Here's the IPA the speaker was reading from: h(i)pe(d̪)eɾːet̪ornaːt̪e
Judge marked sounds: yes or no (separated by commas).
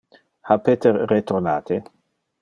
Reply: no, no